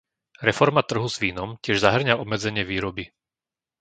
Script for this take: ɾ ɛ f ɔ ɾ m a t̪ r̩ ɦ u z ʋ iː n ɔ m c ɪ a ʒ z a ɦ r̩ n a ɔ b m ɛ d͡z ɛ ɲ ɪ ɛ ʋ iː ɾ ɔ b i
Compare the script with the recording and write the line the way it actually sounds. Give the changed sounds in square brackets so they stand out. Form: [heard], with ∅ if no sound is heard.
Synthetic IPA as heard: ɾ ɛ f ɔ ɾ m a t̪ r̩ ɦ u z ʋ iː n ɔ m c ɪ [ɛ] ʒ z a ɦ r̩ [ɲ] a ɔ b m ɛ d͡z ɛ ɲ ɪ ɛ ʋ iː ɾ ɔ b i